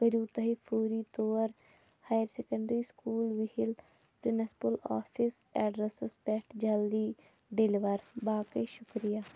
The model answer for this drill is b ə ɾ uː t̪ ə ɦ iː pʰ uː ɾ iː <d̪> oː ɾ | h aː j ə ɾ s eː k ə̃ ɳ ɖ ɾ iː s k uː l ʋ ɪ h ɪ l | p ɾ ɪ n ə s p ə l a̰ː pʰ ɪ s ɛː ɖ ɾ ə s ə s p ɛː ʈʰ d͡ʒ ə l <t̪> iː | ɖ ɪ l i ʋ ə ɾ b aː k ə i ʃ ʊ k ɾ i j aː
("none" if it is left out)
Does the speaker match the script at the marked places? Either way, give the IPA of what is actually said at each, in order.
t̪, d̪

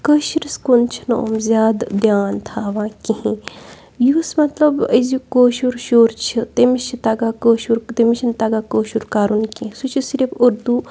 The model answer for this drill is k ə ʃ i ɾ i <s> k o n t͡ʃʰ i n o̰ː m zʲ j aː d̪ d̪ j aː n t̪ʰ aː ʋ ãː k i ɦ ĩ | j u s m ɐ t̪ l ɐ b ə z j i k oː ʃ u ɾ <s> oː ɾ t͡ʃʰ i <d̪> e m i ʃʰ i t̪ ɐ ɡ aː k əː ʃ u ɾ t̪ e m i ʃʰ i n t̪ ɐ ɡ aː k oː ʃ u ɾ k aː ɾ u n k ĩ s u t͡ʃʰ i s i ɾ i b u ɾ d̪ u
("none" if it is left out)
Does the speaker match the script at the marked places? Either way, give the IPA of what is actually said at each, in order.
s, ʃ, t̪

